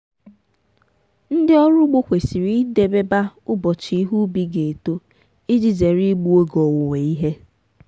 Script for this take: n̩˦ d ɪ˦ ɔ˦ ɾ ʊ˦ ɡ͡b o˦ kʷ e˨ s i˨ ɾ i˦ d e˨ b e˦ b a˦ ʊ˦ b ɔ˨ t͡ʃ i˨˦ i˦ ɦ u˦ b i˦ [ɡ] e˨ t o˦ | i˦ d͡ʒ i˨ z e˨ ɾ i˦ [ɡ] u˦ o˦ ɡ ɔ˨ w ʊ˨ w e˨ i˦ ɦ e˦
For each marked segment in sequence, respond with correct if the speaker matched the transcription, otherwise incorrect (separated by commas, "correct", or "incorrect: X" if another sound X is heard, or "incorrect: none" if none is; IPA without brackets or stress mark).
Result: correct, incorrect: ɡ͡b